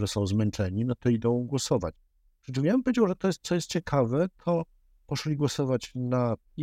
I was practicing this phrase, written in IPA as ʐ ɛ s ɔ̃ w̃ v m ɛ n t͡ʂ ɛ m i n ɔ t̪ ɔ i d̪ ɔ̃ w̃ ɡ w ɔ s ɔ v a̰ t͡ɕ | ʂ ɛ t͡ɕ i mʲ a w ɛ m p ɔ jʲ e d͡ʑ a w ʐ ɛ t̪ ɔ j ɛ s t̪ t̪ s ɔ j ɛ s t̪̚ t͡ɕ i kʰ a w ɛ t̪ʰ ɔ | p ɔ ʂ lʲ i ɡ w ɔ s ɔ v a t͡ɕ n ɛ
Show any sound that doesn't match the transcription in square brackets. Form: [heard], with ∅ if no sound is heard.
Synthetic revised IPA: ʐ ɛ s ɔ̃ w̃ [z] m ɛ n t͡ʂ ɛ [ɲ] i n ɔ t̪ ɔ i d̪ ɔ̃ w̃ ɡ w ɔ s ɔ v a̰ t͡ɕ | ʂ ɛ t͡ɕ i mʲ a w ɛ m p ɔ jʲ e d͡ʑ a w ʐ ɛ t̪ ɔ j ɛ s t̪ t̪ s ɔ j ɛ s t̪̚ t͡ɕ [ɛ] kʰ a [v] ɛ t̪ʰ ɔ | p ɔ ʂ lʲ i ɡ w ɔ s ɔ v a t͡ɕ n [a]